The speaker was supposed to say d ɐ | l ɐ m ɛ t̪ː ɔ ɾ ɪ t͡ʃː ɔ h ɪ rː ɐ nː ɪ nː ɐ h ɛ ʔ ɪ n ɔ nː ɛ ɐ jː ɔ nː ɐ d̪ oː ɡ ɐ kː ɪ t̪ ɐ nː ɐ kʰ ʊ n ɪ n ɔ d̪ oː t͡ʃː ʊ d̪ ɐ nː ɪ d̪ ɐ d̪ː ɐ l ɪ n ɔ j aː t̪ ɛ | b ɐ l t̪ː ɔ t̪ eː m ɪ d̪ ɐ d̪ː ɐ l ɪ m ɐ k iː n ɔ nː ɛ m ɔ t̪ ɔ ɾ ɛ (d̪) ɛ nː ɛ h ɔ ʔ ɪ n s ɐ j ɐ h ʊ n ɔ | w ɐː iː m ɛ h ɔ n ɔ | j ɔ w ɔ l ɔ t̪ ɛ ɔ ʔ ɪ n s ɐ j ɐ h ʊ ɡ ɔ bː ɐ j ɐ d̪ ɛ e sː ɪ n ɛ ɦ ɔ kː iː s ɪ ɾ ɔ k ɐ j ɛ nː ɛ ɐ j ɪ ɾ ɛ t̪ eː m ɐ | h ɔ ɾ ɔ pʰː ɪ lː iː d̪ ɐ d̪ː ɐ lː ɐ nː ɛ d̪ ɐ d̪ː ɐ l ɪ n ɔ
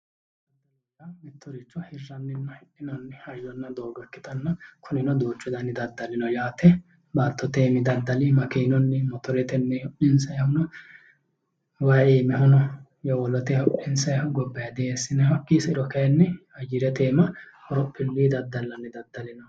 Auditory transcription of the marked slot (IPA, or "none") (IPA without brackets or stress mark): t̪